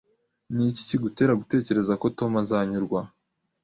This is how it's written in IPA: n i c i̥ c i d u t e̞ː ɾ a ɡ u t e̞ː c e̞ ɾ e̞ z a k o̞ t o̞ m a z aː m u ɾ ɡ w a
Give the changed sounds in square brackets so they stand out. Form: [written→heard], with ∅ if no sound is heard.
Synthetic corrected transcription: n i c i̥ c i [d→ɡ] u t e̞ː ɾ a ɡ u t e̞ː c e̞ ɾ e̞ z a k o̞ t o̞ m a z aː [m→ɲ] u ɾ ɡ w a